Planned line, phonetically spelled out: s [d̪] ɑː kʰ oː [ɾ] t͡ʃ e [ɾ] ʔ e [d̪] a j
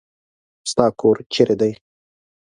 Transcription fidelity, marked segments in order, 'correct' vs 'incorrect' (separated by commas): incorrect, correct, correct, correct